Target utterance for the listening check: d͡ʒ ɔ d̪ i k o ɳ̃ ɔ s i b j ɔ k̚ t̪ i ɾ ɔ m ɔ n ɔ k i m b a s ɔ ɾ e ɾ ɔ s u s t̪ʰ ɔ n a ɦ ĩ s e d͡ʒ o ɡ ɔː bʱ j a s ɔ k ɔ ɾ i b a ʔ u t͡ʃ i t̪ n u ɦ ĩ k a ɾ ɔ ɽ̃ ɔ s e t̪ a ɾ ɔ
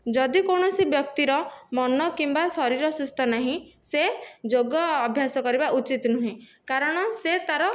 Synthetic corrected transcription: d͡ʒ ɔ d̪ i k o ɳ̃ ɔ s i b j ɔ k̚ t̪ i ɾ ɔ m ɔ n ɔ k i m b a s ɔ ɾ i ɾ ɔ s u s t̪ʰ ɔ n a ɦ ĩ s e d͡ʒ o ɡ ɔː bʱ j a s ɔ k ɔ ɾ i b a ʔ u t͡ʃ i t̪ n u ɦ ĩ k a ɾ ɔ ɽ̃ ɔ s e t̪ a ɾ ɔ